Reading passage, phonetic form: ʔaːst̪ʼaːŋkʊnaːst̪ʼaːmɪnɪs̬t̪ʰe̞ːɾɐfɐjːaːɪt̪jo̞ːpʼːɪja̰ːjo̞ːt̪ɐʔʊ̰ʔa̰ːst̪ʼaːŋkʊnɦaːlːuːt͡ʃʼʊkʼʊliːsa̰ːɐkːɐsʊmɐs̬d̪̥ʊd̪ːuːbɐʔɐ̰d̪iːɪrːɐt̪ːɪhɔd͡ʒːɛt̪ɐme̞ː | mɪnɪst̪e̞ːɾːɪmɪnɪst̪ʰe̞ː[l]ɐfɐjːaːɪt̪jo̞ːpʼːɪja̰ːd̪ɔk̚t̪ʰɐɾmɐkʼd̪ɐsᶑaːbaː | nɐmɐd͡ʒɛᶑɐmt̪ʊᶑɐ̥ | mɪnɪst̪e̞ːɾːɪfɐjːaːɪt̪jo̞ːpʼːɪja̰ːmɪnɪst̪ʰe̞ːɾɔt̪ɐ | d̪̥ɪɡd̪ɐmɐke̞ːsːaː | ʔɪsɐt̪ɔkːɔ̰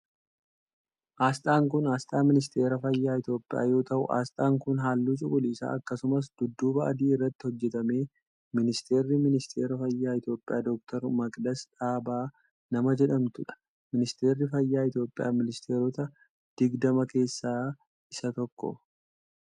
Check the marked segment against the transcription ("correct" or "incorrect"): incorrect